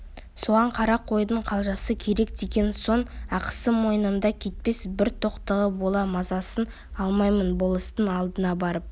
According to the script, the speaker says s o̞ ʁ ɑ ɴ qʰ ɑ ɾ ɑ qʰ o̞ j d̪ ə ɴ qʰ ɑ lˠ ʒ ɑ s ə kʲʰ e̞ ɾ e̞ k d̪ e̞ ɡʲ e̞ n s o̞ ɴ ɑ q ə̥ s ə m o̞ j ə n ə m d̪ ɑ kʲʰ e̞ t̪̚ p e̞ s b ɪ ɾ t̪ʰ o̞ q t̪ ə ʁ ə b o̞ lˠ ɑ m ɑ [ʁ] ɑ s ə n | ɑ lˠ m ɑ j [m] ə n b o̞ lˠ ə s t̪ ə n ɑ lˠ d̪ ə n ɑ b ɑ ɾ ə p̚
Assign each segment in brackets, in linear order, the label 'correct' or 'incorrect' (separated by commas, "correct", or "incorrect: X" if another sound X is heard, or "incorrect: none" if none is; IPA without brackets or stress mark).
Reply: incorrect: z, correct